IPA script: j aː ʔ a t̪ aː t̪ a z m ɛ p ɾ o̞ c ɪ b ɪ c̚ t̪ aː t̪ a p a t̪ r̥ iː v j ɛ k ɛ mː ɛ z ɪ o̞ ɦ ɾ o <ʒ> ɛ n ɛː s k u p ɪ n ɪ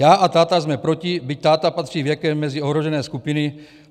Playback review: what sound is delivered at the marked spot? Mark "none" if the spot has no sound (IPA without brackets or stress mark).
ʒ